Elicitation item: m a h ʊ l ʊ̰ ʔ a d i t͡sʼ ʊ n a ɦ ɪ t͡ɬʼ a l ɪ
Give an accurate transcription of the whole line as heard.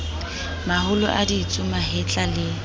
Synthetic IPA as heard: m a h ʊ l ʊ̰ ʔ a d i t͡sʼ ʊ m a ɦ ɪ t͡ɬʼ a l ɪ